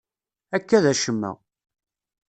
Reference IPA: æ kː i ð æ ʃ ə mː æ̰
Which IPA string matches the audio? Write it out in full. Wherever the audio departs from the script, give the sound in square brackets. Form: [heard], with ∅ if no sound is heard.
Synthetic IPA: æ kː [æ] ð æ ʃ ə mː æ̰